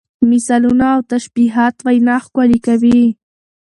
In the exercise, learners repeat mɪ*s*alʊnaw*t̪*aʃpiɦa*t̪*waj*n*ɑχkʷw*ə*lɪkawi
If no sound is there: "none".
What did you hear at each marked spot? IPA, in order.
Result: s, t̪, t̪, n, a

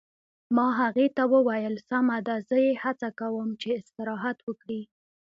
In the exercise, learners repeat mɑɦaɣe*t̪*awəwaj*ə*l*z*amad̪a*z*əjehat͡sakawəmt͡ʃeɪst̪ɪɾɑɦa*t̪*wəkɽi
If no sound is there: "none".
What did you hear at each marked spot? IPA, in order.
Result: t̪, ə, s, z, t̪

